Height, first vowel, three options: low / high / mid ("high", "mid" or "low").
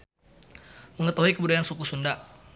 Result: mid